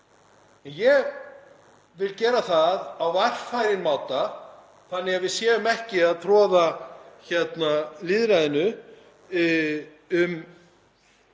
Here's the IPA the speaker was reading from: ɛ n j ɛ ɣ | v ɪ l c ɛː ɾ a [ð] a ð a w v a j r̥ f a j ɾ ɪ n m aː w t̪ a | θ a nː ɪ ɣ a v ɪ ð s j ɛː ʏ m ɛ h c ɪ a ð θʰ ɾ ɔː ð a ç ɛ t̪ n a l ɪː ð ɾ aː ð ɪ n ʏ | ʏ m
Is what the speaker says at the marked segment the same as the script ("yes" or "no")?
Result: no